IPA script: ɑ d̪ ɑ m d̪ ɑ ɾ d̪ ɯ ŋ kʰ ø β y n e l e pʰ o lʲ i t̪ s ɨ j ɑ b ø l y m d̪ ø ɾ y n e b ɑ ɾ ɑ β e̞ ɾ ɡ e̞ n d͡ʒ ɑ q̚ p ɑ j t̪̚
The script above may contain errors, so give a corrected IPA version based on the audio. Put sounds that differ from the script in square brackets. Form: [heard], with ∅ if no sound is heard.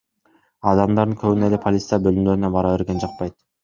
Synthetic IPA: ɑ d̪ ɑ m d̪ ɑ ɾ d̪ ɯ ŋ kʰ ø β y n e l e pʰ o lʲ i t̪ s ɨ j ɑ b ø l y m d̪ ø ɾ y n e b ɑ ɾ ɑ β e̞ ɾ ɡ e̞ n d͡ʒ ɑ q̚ p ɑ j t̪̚